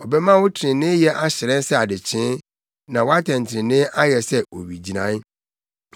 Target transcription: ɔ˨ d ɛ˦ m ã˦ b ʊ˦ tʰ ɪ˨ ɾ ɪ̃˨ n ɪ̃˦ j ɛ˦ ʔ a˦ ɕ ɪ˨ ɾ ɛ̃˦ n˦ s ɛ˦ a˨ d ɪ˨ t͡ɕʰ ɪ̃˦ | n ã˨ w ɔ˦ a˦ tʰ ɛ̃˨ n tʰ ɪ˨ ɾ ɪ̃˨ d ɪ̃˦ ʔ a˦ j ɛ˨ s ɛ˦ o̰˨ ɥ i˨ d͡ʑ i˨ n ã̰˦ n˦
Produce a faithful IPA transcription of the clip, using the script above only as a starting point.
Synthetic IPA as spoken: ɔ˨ b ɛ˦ m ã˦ w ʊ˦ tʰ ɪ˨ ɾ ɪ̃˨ n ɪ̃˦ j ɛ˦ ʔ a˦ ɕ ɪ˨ ɾ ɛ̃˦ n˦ s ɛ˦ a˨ d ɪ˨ t͡ɕʰ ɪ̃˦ | n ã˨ w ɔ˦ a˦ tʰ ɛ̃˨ n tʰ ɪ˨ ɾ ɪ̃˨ n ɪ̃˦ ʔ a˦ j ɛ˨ s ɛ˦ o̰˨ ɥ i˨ d͡ʑ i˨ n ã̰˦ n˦